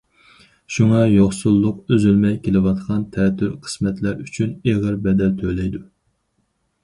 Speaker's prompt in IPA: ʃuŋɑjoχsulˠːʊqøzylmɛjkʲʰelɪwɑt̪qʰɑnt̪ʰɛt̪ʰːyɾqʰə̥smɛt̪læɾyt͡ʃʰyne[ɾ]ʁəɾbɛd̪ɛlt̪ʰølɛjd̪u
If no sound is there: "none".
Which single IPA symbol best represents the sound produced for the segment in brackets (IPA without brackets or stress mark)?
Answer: none